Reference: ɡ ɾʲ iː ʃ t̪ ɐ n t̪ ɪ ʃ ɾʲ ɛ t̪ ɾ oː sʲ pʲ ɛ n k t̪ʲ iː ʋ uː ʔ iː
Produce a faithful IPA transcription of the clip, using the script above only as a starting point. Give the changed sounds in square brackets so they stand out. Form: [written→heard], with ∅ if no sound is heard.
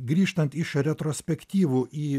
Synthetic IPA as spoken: ɡ ɾʲ iː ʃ t̪ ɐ n t̪ ɪ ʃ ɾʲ ɛ t̪ ɾ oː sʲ pʲ ɛ [n→∅] k t̪ʲ iː ʋ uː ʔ iː